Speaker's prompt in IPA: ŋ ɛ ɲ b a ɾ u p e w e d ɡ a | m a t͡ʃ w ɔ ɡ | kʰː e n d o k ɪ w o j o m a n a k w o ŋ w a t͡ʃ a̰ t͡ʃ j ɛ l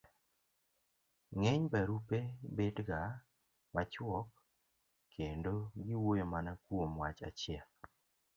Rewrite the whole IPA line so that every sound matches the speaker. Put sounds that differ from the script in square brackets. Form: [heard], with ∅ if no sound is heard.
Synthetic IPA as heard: ŋ ɛ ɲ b a ɾ u p e [b] e d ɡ a | m a t͡ʃ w ɔ [k] | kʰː e n d o [ɡ] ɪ w o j o m a n a k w o [m] w a t͡ʃ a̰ t͡ʃ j ɛ l